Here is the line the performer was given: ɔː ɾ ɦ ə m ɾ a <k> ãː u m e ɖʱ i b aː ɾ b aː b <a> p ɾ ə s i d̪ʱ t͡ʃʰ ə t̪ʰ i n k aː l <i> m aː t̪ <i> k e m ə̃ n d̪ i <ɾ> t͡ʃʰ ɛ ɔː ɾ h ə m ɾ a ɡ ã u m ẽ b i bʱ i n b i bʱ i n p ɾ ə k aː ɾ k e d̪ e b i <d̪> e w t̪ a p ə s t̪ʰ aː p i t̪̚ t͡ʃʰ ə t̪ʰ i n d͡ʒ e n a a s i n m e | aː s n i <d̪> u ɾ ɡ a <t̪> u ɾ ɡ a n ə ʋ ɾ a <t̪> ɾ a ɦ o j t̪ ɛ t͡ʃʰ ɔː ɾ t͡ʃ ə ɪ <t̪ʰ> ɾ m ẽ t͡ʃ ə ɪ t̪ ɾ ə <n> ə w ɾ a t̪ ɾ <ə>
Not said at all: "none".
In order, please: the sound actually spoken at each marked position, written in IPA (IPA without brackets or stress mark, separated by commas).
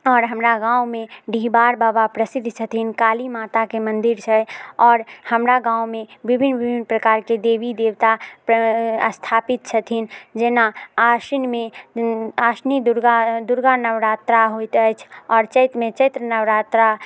ɡ, a, i, a, ɾ, d̪, d̪, d̪, t̪, t̪, n, a